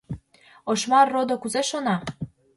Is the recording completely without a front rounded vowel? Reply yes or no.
yes